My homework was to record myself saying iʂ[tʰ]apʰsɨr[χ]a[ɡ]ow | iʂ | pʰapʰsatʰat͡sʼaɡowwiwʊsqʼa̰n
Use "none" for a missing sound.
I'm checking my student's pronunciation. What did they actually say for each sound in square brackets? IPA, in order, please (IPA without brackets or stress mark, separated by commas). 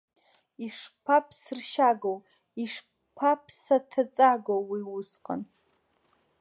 pʰ, ʃ, ɡ